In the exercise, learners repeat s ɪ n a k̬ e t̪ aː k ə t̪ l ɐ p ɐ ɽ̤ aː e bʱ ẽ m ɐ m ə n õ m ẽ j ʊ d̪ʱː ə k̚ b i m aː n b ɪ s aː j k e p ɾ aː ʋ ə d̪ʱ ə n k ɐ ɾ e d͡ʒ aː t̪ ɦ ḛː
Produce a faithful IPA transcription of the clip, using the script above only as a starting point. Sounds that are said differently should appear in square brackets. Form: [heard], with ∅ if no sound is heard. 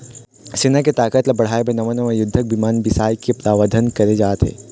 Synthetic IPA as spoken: s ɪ n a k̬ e t̪ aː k ə t̪ l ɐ [b] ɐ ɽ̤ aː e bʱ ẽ [n] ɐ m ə n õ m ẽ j ʊ d̪ʱː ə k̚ b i m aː n b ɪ s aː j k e p ɾ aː ʋ ə d̪ʱ ə n k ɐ ɾ e d͡ʒ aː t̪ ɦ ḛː